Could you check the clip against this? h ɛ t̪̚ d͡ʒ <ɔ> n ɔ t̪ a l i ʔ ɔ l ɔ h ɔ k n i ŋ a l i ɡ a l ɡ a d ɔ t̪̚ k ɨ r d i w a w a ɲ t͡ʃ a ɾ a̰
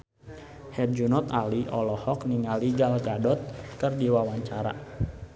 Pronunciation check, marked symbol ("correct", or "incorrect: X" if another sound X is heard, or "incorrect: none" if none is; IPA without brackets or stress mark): incorrect: u